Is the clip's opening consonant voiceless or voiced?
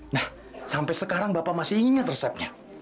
voiced